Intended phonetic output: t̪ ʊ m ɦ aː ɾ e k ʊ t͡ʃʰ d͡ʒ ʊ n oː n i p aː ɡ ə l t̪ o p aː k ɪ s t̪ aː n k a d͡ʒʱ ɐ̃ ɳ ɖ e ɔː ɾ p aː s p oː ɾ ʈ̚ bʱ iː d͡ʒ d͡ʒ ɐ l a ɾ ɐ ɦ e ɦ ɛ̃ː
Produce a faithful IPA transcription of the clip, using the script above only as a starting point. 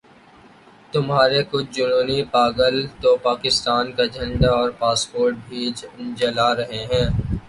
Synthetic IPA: t̪ ʊ m ɦ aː ɾ e k ʊ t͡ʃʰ d͡ʒ ʊ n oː n i p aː ɡ ə l t̪ o p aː k ɪ s t̪ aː n k a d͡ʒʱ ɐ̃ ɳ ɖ a ɔː ɾ p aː s p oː ɾ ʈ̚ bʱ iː d͡ʒ d͡ʒ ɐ l a ɾ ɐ ɦ e ɦ ɛ̃ː